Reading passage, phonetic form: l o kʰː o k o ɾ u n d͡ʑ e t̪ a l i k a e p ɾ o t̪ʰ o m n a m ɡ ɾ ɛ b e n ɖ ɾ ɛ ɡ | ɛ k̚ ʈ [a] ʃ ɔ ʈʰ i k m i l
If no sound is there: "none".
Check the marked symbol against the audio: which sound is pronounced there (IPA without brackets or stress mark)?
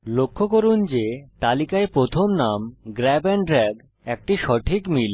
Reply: i